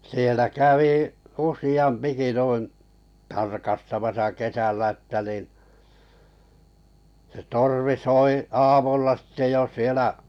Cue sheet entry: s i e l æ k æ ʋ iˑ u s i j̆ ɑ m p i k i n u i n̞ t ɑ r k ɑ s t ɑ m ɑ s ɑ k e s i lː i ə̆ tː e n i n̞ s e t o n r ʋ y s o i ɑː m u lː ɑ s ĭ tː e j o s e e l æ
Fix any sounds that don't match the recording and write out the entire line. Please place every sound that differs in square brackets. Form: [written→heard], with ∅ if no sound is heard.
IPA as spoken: s i e l æ k æ ʋ iˑ u s i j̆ ɑ m p i k i n u i n̞ t ɑ r k ɑ s t ɑ m ɑ s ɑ k e s [i→æ] lː [i→æ] ə̆ tː [e→æ] n i n̞ s e t o [n→∅] r ʋ [y→i] s o i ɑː m u lː ɑ s ĭ tː e j o s [e→i] e l æ